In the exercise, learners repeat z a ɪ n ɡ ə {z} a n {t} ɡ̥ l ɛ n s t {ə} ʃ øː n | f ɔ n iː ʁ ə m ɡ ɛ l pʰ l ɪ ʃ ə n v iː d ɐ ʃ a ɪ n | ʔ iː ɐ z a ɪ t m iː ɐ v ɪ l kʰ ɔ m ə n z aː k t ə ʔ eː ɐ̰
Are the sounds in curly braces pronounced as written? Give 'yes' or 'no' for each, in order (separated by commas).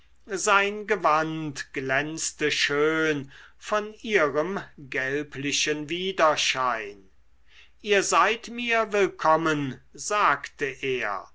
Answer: no, yes, yes